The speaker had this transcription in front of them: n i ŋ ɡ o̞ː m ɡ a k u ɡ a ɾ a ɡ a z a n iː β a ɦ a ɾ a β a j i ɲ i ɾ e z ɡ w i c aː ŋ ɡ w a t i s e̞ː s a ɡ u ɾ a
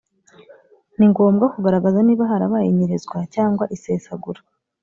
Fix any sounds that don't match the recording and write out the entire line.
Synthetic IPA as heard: n i ŋ ɡ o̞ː m ɡ a k u ɡ a ɾ a ɡ a z a n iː β a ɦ a ɾ a β a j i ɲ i ɾ e z ɡ w a c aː ŋ ɡ w a ʔ i s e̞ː s a ɡ u ɾ a